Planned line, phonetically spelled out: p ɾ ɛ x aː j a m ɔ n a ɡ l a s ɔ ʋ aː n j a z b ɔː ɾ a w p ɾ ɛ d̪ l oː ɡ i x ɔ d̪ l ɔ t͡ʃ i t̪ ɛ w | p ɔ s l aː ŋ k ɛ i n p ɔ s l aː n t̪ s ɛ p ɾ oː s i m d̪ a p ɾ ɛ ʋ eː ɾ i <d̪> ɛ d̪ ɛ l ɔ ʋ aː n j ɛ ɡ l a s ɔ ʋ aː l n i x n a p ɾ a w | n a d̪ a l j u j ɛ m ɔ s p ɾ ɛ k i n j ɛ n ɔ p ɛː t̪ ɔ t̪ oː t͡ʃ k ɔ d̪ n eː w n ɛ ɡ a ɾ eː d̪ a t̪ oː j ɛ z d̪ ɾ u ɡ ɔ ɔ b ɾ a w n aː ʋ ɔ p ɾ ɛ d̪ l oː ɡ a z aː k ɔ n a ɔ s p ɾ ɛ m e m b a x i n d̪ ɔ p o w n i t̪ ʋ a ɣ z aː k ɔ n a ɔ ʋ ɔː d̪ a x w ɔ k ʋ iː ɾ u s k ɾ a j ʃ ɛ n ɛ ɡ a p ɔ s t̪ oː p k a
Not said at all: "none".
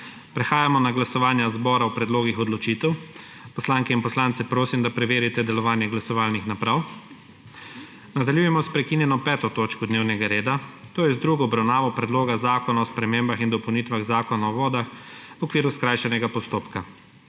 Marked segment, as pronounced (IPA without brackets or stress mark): t̪